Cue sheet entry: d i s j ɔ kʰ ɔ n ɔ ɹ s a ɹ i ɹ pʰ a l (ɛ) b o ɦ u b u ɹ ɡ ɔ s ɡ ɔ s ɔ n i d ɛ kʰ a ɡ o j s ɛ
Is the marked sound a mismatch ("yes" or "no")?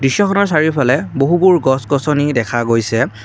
no